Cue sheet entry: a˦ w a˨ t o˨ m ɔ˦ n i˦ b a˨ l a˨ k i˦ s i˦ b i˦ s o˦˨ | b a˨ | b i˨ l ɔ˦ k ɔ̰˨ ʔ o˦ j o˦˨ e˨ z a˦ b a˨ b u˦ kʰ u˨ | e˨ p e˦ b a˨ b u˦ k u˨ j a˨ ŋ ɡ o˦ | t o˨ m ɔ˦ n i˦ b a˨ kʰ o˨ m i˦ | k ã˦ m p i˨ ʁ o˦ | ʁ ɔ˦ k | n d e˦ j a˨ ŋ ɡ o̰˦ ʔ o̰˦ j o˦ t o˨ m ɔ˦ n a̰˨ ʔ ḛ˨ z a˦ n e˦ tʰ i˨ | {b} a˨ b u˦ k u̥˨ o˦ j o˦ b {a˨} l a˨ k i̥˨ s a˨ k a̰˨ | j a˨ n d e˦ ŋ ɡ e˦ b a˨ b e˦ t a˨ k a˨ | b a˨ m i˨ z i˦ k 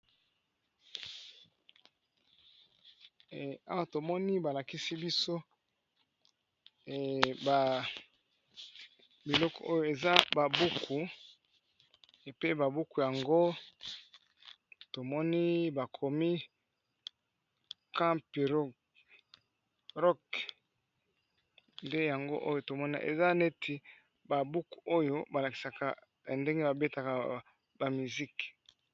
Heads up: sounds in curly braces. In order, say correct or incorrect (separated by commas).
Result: correct, correct